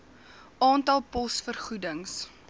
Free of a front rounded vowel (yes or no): yes